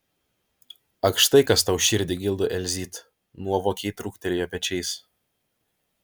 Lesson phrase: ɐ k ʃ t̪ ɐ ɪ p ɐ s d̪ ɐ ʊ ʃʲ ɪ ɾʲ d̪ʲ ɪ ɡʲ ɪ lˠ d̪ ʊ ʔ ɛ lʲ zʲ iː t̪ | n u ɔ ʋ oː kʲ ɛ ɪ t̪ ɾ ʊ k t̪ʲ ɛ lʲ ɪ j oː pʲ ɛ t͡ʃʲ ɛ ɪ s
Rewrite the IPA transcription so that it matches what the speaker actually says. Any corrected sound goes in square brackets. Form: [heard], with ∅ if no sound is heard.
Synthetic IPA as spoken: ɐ k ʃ t̪ ɐ ɪ [k] ɐ s [t̪] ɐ ʊ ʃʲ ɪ ɾʲ d̪ʲ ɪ ɡʲ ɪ lˠ d̪ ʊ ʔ ɛ lʲ zʲ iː t̪ | n u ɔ ʋ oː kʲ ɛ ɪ t̪ ɾ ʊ k t̪ʲ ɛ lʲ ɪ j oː pʲ ɛ t͡ʃʲ ɛ ɪ s